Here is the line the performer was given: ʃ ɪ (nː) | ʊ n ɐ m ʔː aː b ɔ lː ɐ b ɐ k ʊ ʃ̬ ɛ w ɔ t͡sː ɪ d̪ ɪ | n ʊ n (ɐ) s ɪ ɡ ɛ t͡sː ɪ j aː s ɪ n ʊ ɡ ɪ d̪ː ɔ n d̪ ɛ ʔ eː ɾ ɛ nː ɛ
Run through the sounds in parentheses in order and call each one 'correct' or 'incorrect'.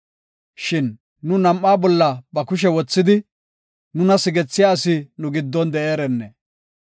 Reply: correct, correct

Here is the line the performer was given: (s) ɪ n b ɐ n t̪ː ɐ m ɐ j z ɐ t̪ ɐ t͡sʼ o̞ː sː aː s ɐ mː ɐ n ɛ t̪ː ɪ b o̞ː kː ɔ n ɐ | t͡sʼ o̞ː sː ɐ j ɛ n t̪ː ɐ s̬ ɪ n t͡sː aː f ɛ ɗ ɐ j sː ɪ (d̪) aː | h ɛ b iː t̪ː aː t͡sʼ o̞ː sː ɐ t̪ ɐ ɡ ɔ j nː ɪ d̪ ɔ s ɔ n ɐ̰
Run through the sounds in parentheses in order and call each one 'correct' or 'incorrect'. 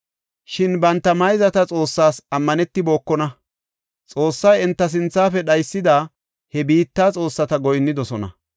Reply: incorrect, correct

